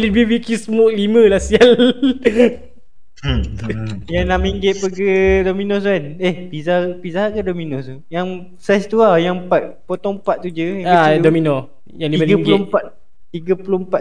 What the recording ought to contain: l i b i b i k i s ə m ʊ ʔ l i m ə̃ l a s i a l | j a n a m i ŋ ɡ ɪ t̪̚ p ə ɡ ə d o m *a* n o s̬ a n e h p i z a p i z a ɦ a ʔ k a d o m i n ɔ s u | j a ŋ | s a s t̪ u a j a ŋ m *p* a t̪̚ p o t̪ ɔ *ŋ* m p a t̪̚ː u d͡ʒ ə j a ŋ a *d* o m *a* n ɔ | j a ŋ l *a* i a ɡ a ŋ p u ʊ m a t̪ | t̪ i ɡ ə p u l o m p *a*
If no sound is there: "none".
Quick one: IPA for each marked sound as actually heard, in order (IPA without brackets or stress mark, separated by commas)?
i, p, ŋ, d, i, i, a